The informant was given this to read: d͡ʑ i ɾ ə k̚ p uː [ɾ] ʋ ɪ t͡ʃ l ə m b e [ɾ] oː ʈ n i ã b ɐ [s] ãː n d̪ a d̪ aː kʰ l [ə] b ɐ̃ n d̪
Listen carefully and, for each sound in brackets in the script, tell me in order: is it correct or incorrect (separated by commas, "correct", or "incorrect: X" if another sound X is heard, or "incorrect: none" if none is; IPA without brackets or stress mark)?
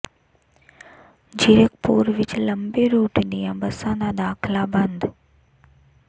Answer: correct, correct, correct, incorrect: a